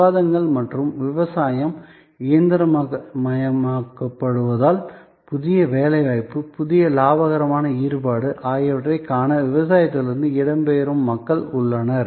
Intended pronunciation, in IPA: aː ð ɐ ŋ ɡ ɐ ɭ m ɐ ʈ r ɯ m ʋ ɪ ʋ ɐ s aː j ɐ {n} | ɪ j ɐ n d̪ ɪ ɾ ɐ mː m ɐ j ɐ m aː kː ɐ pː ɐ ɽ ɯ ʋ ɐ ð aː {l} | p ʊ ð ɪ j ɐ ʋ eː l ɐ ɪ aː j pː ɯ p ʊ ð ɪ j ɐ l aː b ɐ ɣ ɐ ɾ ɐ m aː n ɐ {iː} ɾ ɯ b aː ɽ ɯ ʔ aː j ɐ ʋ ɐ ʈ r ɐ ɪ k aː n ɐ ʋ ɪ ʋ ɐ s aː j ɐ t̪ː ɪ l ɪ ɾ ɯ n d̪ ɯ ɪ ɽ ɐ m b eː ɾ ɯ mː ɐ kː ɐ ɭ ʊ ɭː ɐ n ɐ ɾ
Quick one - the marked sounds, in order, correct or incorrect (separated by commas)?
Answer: incorrect, correct, correct